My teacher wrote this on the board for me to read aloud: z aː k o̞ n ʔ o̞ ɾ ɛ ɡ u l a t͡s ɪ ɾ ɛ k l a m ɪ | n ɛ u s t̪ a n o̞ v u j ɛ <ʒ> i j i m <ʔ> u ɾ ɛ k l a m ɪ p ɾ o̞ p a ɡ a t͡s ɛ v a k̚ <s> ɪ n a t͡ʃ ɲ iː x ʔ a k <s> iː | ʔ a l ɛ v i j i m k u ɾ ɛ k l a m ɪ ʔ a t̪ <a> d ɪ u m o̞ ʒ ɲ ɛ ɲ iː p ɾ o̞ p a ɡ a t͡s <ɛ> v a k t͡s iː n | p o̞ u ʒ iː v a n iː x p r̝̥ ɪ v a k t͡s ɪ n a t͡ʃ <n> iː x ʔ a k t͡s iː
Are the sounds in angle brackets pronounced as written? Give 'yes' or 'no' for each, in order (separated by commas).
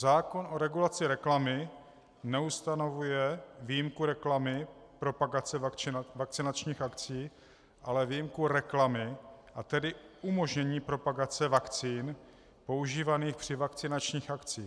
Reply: no, no, no, no, no, yes, no